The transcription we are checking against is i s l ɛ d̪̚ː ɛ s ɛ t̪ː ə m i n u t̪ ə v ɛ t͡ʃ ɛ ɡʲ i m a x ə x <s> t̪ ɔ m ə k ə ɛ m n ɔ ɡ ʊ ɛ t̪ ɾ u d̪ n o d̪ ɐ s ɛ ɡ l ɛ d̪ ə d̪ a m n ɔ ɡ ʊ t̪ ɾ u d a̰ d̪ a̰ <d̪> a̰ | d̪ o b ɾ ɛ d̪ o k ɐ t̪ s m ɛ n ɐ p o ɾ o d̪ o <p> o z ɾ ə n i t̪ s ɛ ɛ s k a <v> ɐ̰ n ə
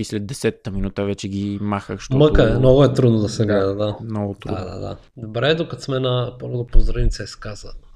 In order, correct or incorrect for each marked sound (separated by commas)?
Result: incorrect, correct, correct, incorrect